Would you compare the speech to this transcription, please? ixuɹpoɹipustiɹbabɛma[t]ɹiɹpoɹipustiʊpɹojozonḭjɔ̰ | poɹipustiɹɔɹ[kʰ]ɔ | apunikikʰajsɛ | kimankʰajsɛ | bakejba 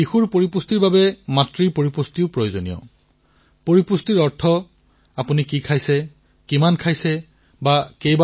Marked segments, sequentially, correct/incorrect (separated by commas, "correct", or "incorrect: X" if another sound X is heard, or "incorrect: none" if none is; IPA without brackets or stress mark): correct, incorrect: tʰ